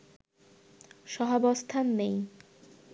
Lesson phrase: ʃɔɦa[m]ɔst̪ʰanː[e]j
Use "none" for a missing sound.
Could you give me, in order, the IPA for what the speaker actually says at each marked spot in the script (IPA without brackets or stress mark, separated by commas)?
b, e